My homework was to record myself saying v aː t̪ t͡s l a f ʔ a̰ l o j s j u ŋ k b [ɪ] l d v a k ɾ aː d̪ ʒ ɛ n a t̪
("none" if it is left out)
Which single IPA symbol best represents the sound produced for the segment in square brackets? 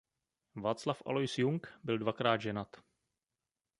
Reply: ɪ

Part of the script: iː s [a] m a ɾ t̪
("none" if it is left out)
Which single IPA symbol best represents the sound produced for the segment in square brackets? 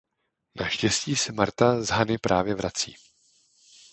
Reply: ɛ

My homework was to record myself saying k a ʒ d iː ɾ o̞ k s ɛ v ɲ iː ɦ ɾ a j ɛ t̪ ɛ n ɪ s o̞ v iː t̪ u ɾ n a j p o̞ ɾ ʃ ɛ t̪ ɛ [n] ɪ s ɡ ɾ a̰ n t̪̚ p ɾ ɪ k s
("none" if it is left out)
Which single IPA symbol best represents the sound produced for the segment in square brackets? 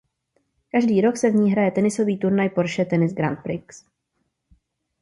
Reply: n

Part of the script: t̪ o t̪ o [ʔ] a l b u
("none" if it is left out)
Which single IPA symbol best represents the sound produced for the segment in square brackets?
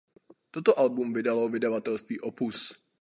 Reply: ʔ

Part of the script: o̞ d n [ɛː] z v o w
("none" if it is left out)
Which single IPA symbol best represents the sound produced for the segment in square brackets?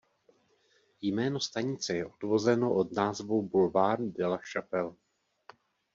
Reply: aː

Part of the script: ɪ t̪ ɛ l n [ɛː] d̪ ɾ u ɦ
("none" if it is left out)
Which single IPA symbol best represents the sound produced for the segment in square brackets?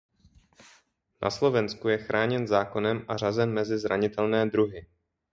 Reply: ɛː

